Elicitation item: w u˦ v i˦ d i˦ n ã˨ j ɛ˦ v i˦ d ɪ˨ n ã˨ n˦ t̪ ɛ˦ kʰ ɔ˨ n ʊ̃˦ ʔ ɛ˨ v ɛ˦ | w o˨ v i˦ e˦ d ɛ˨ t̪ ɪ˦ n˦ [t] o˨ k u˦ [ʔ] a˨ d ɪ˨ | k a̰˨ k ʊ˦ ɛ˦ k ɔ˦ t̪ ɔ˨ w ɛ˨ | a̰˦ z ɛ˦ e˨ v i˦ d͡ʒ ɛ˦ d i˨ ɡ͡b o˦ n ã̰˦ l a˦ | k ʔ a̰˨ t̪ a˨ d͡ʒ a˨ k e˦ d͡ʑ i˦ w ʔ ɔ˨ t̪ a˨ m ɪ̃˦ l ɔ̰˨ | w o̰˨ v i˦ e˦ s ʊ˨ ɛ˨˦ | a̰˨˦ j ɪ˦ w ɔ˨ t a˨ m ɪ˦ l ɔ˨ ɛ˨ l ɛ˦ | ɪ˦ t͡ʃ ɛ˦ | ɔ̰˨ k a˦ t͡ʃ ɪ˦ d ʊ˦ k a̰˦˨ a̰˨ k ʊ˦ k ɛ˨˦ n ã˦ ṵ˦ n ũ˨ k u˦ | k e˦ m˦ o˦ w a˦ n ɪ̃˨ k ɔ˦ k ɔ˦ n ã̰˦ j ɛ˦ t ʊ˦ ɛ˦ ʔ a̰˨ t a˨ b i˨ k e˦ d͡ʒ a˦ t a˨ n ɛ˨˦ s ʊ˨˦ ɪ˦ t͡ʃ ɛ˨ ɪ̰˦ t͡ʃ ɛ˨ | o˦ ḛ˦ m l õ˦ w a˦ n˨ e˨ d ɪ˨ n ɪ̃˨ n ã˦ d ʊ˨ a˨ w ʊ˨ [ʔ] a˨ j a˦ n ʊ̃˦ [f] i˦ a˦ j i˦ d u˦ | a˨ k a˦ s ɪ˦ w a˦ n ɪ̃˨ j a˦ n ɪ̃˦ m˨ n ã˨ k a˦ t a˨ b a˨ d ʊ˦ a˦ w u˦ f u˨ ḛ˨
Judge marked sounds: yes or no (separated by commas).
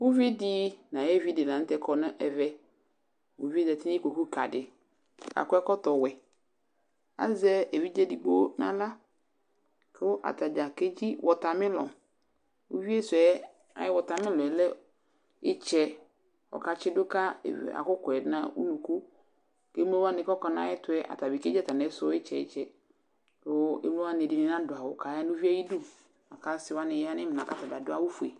no, no, no, no